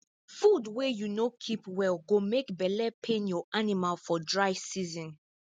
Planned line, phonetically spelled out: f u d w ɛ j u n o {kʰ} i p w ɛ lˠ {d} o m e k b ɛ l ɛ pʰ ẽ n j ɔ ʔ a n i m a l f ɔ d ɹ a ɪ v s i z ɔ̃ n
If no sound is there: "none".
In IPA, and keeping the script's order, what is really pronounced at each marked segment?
kʰ, ɡ

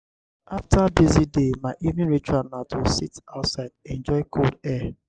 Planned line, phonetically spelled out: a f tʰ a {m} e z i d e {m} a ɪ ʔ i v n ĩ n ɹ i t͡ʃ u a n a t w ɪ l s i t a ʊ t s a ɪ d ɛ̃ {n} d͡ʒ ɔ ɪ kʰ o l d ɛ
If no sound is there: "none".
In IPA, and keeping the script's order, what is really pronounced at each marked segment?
b, m, n

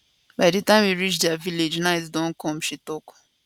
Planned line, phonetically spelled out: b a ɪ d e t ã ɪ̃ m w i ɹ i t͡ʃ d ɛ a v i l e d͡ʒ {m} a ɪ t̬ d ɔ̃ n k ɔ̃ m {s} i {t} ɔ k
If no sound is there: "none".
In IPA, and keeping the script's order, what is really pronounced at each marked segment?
n, ʃ, t

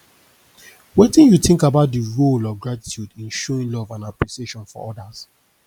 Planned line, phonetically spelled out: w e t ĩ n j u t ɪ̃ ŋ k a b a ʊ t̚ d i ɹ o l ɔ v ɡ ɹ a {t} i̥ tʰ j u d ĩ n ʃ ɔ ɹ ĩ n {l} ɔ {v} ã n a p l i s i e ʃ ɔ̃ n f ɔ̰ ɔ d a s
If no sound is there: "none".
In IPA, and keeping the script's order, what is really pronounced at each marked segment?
t, l, v

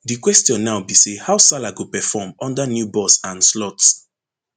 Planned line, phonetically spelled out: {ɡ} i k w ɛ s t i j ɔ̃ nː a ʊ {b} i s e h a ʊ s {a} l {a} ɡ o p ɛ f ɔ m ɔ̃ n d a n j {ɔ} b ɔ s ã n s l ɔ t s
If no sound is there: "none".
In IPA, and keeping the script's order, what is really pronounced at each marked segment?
d, b, a, a, u

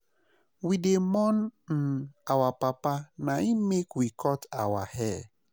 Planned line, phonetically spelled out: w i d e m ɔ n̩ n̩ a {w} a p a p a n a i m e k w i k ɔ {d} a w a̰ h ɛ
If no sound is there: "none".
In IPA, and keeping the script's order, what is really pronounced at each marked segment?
w, t

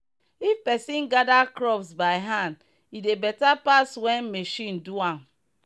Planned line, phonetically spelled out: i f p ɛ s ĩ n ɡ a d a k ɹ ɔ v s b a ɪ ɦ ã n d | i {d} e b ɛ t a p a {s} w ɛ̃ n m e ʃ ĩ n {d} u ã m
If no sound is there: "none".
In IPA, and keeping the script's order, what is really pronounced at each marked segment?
d, s, d

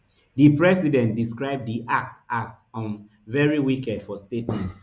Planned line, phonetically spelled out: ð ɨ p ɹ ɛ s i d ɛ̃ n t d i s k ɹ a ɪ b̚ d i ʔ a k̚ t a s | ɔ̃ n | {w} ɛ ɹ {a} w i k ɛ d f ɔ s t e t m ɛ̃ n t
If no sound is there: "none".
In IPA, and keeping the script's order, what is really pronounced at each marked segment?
v, i

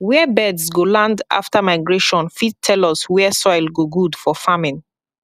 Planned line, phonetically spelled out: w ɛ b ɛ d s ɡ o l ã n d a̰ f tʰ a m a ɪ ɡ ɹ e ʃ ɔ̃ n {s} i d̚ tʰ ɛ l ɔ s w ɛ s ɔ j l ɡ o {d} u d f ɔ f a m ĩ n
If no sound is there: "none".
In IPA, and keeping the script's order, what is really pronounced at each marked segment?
f, ɡ

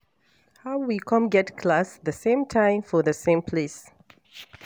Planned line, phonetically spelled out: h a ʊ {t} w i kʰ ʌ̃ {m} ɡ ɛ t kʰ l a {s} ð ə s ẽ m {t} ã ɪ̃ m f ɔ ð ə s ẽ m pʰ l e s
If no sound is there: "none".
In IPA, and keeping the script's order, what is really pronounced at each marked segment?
none, m, s, tʰ

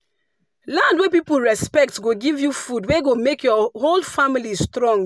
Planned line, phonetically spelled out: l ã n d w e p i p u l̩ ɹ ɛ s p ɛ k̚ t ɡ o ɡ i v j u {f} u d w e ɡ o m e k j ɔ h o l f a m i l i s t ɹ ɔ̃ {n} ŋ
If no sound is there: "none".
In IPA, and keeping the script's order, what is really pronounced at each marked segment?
f, none

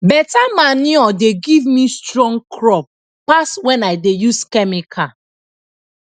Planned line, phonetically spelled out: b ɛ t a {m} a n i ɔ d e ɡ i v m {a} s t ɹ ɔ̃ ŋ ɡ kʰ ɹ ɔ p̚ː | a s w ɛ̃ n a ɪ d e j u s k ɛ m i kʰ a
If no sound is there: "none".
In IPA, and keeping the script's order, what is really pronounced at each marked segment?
m, i

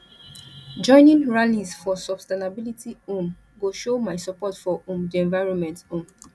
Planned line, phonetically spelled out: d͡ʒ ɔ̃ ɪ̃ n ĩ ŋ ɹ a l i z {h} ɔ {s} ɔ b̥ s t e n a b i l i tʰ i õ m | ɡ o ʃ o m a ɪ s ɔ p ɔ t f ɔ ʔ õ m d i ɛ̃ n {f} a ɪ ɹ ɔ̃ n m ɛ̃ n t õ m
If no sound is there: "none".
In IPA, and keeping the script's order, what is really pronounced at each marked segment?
f, s, v

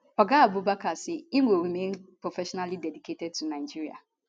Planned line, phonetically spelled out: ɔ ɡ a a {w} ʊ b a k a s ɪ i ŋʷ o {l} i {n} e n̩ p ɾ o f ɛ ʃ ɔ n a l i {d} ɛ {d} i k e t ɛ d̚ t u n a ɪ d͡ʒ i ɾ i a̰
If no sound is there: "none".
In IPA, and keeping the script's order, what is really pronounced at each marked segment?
b, ɾ, m, d, d

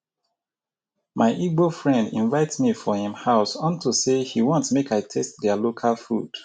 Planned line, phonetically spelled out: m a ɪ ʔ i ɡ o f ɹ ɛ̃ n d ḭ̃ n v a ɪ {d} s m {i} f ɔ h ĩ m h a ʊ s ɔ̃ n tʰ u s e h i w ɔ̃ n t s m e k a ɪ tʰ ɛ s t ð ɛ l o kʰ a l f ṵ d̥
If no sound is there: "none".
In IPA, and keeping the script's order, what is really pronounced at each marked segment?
t, i

